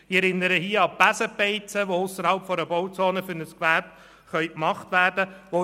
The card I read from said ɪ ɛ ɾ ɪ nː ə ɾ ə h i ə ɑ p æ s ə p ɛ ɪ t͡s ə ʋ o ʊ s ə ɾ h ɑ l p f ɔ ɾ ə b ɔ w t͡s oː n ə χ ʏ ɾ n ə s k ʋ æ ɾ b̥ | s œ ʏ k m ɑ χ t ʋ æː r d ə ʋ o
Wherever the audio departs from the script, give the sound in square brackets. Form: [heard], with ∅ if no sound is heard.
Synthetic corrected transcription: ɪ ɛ ɾ ɪ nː ə ɾ ə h i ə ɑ p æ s ə p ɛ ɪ t͡s ə ʋ o ʊ s ə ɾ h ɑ l p f ɔ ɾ ə b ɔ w t͡s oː n ə [f] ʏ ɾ n ə s k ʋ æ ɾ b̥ | [χ] œ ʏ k m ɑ χ t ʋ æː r d ə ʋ o

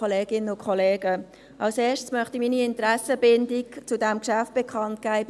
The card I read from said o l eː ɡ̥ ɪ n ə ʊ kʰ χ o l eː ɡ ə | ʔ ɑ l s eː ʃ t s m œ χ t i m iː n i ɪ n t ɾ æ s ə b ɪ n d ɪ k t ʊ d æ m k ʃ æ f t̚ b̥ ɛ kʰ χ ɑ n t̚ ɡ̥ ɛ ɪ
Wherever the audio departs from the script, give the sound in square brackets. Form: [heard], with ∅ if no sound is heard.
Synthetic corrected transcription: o l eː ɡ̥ ɪ n ə ʊ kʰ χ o l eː ɡ ə | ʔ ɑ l s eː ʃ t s m œ χ t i m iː n i ɪ n t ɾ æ s ə b ɪ n d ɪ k [t͡s] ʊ d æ m k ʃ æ f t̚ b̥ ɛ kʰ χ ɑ n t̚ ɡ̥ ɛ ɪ

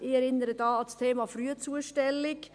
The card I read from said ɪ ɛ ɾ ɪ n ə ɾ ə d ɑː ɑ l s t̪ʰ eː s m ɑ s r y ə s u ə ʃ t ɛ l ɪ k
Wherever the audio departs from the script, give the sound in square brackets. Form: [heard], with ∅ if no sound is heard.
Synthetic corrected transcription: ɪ ɛ ɾ ɪ n ə ɾ ə d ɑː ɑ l s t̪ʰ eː [∅] m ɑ [f] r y ə [t͡s] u ə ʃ t ɛ l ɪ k

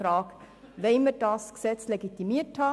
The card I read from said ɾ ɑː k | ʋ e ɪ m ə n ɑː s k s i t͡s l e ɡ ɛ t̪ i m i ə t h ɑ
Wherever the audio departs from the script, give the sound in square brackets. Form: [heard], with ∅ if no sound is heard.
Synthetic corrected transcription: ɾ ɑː k | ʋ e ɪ m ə [d] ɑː s k s [ɛ] t͡s l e ɡ [i] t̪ i m i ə t h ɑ

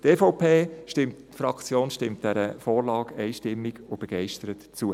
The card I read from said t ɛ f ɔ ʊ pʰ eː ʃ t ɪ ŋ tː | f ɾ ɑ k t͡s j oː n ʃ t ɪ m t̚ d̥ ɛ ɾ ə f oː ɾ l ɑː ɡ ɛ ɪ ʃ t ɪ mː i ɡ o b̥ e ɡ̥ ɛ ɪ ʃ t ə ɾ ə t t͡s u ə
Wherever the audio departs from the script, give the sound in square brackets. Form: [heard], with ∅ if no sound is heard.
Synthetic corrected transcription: t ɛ f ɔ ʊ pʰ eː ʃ t ɪ [m] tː | f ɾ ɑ k t͡s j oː n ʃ t ɪ m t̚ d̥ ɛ ɾ ə f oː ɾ l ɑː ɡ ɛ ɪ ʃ t ɪ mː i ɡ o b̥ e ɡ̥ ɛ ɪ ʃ t ə ɾ ə t t͡s u ə

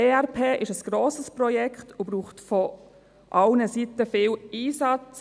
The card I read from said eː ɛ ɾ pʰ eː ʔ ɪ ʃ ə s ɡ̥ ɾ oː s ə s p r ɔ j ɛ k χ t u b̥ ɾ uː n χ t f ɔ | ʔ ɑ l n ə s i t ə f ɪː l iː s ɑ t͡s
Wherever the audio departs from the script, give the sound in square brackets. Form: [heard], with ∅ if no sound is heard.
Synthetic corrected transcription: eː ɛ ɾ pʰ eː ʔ ɪ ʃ ə s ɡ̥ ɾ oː s ə s p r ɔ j ɛ k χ t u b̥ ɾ uː [∅] χ t f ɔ | ʔ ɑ l n ə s i t ə f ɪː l iː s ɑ t͡s

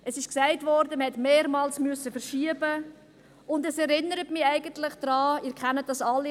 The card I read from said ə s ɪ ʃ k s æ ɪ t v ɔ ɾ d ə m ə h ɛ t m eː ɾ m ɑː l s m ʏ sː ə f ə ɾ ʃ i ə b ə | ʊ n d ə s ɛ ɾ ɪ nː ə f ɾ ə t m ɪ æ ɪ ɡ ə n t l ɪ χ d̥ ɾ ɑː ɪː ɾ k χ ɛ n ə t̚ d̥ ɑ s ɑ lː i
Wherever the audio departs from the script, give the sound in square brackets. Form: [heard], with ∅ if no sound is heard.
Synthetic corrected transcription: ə s ɪ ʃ k s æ ɪ t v ɔ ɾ d ə m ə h ɛ t m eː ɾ m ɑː l s m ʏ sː ə f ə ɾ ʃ i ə b ə | ʊ n d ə s ɛ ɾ ɪ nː ə [∅] ɾ ə t m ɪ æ ɪ ɡ ə n t l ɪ χ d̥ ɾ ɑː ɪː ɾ k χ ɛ n ə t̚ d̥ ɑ s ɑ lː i

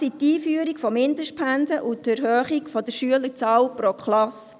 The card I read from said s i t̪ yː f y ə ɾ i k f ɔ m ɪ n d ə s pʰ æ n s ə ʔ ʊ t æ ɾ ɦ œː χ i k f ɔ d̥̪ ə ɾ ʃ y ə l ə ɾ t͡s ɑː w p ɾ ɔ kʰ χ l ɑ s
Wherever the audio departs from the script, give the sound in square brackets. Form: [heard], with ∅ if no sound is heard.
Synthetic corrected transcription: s i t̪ [iː] f y ə ɾ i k f ɔ m ɪ n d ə [ʃ] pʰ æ n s ə ʔ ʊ t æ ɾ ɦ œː χ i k f ɔ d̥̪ ə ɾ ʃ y ə l ə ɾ t͡s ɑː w p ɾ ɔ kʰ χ l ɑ s

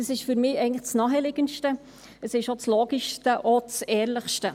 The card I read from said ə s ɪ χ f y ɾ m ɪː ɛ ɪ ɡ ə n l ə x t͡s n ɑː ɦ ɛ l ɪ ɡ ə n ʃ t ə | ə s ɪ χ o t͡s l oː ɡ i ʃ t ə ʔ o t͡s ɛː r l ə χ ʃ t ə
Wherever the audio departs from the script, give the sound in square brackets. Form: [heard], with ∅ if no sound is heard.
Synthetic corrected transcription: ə s ɪ [ʃ] f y ɾ m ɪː ɛ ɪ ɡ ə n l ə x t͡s n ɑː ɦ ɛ l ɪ ɡ ə n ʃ t ə | ə s ɪ [ʃ] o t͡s l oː ɡ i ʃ t ə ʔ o t͡s ɛː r l ə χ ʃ t ə

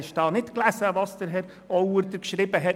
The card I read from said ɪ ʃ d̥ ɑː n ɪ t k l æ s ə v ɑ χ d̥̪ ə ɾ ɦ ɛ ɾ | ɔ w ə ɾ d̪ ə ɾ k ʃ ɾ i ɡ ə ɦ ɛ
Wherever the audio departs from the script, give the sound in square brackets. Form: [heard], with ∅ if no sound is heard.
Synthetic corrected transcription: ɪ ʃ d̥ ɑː n ɪ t k l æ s ə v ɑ [s] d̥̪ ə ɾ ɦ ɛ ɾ | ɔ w ə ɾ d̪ ə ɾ k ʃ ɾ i [b] ə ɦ ɛ

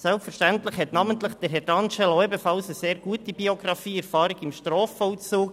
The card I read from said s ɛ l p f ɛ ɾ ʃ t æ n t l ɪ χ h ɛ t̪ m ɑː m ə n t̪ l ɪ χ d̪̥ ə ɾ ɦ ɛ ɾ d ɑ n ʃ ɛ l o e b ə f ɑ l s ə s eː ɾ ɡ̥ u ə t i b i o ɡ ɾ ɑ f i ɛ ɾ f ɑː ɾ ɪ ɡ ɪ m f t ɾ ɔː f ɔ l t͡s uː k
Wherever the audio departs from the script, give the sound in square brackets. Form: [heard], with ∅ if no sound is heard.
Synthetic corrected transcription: s ɛ l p f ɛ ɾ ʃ t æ n t l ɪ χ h ɛ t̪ [n] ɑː m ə n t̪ l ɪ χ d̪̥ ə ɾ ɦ ɛ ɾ d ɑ n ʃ ɛ l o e b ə f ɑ l s ə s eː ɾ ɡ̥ u ə t i b i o ɡ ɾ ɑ f [iː] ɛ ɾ f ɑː ɾ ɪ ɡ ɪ m [ʃ] t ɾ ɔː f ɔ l t͡s uː k

